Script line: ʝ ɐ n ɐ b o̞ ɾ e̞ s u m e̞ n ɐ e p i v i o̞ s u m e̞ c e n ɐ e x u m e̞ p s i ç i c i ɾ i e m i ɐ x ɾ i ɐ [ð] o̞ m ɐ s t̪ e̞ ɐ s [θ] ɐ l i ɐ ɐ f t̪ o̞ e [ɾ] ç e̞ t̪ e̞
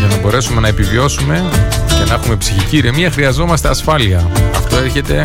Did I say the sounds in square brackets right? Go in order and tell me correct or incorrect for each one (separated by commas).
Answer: incorrect, incorrect, correct